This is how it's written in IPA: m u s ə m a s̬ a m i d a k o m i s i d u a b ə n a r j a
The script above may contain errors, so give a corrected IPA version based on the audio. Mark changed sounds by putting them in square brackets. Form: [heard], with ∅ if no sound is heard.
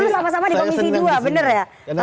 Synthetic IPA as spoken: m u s [a] m a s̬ a m [a] d [i] k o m i s i d u a b ə n [ə] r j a